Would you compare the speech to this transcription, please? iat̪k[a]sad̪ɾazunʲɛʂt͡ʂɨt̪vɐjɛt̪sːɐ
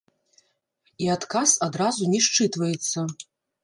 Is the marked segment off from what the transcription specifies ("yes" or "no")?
no